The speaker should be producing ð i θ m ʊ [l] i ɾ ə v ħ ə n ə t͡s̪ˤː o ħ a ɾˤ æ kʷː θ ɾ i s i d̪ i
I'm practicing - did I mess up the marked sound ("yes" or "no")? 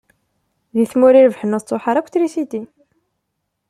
yes